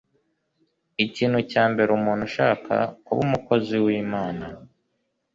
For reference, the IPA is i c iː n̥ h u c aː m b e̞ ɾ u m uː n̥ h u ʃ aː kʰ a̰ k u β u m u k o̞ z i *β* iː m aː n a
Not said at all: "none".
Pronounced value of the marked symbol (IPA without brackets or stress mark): w